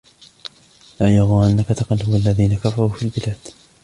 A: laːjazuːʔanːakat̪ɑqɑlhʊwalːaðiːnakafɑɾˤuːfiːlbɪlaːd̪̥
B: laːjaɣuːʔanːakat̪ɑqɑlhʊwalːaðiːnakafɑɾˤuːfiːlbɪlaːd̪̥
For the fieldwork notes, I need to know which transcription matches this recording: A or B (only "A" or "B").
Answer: B